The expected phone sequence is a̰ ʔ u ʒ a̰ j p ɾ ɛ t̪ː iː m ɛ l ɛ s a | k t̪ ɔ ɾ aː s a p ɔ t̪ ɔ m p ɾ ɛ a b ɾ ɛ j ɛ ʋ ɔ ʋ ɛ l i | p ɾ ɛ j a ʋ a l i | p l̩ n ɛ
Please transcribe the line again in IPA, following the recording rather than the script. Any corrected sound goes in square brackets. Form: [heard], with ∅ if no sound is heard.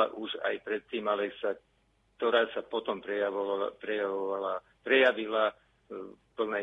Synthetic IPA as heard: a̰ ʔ u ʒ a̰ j p ɾ ɛ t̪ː iː m [a] l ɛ s a | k t̪ ɔ ɾ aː s a p ɔ t̪ ɔ m p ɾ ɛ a [p] ɾ ɛ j [a] ʋ ɔ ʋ [a] l [a] | p ɾ ɛ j a ʋ [i] l [a] | p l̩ n ɛ